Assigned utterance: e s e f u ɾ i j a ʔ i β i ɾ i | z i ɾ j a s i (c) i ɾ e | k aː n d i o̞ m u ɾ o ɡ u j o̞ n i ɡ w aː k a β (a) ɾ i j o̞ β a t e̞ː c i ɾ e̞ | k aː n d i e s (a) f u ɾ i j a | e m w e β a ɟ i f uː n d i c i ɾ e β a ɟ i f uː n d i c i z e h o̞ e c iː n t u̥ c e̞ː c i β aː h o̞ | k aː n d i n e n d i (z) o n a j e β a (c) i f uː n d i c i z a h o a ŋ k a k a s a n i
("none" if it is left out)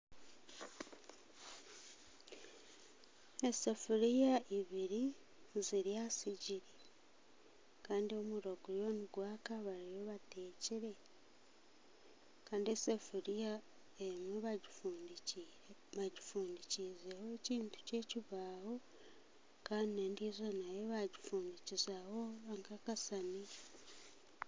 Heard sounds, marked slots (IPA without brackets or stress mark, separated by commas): ɟ, a, e, z, ɟ